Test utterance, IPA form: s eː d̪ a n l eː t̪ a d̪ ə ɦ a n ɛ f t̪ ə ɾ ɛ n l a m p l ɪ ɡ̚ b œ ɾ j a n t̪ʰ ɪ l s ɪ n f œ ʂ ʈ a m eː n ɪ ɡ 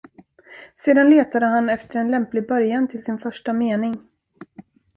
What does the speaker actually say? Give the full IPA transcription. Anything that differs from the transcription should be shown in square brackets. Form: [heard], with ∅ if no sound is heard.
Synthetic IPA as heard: s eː d̪ a n l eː t̪ a d̪ ə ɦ a n ɛ f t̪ ə ɾ ɛ n l [ɛ] m p l ɪ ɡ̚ b œ ɾ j a n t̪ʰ ɪ l s ɪ n f œ ʂ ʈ a m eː n ɪ [ŋ]

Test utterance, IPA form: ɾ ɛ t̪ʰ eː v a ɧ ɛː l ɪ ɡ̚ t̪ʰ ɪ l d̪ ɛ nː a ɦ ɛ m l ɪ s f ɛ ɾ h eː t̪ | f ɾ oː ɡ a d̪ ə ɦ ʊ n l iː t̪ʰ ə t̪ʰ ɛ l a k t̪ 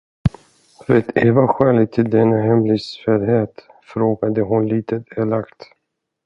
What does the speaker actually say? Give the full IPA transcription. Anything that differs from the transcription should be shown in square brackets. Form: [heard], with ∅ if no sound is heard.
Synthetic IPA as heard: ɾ ɛ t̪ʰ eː v a ɧ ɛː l ɪ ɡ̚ t̪ʰ ɪ l d̪ ɛ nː a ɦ ɛ m l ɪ s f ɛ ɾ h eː t̪ | f ɾ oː ɡ a d̪ ə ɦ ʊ n l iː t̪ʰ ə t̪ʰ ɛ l a k t̪

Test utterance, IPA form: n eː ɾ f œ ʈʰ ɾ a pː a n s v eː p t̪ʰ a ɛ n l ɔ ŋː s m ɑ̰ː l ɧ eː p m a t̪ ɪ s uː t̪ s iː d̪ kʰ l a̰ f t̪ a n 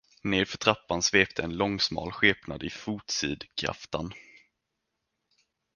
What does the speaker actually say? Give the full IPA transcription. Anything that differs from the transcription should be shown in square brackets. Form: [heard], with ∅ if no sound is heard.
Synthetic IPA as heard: n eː ɾ f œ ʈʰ ɾ a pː a n s v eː p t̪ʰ [ə] ɛ n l ɔ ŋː s m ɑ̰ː l ɧ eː p [n] a [d̪] ɪ [f] uː t̪ s iː d̪ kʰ [ɾ] a̰ f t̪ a n

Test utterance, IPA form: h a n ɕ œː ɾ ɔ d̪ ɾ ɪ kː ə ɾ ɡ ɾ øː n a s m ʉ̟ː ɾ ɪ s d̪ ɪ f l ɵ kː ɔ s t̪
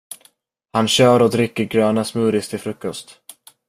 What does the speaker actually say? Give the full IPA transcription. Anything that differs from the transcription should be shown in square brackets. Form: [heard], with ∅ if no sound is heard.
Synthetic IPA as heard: h a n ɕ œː ɾ ɔ d̪ ɾ ɪ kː ə ɾ ɡ ɾ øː n a s m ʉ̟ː ɾ ɪ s [t̪] ɪ f [ɾ] ɵ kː ɔ s t̪

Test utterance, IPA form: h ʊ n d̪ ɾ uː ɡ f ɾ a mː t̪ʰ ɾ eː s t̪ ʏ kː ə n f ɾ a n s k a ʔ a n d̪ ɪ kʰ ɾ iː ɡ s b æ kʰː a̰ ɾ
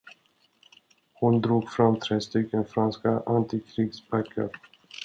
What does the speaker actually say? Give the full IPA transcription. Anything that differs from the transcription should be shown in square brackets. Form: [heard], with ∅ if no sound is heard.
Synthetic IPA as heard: h ʊ n d̪ ɾ uː ɡ f ɾ a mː t̪ʰ ɾ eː s t̪ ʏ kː ə n f ɾ a n s k a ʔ a n [t̪] ɪ kʰ ɾ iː ɡ s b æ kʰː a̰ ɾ

